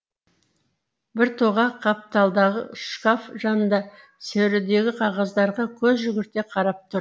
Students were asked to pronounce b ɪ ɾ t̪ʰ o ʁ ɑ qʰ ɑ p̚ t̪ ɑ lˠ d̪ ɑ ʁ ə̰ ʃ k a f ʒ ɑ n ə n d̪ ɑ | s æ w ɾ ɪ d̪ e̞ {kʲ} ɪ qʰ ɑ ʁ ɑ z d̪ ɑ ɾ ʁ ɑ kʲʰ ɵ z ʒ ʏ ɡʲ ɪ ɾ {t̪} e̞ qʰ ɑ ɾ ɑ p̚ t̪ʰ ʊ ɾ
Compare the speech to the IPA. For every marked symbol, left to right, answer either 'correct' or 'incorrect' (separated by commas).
incorrect, correct